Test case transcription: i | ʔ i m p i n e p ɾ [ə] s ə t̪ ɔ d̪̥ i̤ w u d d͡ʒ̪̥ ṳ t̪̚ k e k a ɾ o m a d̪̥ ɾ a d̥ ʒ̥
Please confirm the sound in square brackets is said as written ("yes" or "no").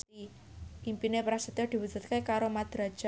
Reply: no